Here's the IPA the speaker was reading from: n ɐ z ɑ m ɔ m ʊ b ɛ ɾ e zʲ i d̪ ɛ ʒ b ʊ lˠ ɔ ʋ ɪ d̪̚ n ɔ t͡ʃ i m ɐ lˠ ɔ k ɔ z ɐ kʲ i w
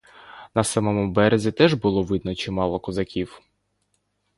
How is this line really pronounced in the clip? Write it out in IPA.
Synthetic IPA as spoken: n ɐ s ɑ m ɔ m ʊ b ɛ ɾ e zʲ i t̪ ɛ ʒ b ʊ lˠ ɔ ʋ ɪ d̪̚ n ɔ t͡ʃ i m ɑ lˠ ɔ k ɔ z ɐ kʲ i w